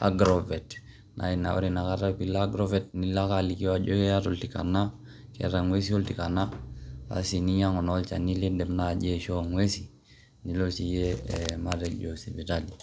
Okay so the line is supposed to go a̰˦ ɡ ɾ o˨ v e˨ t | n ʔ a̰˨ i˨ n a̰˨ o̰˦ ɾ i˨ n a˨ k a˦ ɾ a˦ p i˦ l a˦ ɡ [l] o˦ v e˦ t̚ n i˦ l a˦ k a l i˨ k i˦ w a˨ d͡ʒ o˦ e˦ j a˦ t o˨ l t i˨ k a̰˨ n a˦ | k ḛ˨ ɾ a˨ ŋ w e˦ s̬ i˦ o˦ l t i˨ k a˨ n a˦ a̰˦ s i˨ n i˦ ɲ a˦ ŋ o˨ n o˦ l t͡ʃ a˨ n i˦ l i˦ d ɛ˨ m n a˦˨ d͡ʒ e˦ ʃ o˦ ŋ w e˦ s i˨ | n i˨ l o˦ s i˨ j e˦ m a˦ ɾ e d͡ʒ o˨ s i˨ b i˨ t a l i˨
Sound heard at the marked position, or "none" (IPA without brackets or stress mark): ɾ